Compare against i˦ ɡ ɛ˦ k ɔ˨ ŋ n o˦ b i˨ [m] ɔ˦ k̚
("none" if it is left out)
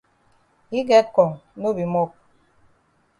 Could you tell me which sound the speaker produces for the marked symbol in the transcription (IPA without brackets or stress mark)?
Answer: m